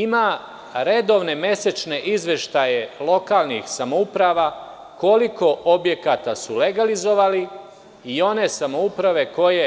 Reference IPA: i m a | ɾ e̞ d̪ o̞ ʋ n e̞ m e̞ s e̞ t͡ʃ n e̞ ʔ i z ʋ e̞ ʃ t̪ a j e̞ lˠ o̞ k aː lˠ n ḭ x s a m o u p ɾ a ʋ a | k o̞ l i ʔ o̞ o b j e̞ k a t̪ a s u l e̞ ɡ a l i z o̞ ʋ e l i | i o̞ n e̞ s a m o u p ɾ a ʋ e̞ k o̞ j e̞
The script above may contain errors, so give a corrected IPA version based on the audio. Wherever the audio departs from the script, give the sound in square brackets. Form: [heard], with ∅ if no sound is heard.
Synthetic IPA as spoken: i m a | ɾ e̞ d̪ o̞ ʋ n e̞ m e̞ s e̞ t͡ʃ n e̞ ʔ i z ʋ e̞ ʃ t̪ a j e̞ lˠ o̞ k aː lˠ n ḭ x s a m o u p ɾ a ʋ a | k o̞ l i [k] o̞ o b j e̞ k a t̪ a s u l e̞ ɡ a l i z o̞ ʋ [a] l i | i o̞ n e̞ s a m o u p ɾ a ʋ e̞ k o̞ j e̞